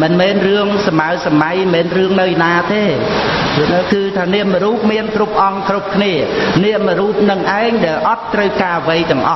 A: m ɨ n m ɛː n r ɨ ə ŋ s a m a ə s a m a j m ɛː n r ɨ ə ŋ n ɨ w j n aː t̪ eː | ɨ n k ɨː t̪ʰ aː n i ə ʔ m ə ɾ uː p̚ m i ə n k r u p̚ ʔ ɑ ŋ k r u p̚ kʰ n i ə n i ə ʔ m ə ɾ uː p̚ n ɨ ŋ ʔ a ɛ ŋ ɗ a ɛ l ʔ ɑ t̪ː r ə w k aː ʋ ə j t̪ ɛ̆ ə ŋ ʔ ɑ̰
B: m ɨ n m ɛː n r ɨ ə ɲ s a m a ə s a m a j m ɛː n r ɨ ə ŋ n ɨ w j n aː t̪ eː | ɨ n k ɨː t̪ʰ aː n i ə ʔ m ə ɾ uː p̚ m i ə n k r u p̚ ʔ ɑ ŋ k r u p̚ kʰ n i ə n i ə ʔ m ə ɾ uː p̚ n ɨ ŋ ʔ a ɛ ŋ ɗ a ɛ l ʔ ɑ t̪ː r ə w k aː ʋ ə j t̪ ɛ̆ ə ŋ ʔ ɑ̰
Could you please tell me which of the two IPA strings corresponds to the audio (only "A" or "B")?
A